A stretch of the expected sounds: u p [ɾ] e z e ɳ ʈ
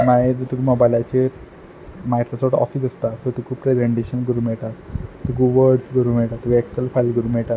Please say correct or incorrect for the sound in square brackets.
correct